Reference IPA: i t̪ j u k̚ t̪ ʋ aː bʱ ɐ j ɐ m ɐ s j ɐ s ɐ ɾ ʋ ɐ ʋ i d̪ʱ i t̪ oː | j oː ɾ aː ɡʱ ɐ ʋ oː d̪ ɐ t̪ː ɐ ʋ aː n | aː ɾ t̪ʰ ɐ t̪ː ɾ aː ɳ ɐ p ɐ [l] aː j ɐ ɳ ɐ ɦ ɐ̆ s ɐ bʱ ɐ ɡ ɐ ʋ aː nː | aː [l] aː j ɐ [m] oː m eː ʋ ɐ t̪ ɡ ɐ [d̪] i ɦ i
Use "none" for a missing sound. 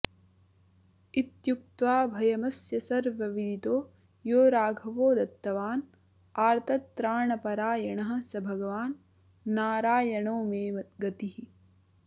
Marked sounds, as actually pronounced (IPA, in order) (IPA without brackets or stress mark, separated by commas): ɾ, ɾ, ɳ, t̪